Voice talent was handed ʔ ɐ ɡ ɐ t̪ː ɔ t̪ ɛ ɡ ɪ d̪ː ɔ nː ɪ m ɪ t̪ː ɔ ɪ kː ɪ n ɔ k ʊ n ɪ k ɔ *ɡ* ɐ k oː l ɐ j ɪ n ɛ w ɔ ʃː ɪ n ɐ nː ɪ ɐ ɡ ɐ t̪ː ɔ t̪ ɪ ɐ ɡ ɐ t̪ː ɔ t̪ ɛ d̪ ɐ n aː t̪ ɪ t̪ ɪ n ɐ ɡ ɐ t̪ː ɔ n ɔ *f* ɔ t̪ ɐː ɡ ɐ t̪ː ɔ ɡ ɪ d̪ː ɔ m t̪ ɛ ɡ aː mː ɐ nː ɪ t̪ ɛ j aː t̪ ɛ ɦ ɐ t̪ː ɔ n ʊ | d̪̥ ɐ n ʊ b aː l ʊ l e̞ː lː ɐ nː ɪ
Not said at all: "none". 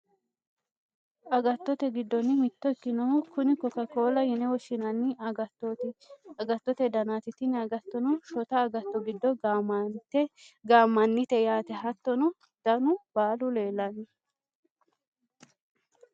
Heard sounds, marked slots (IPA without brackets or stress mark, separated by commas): k, ʃ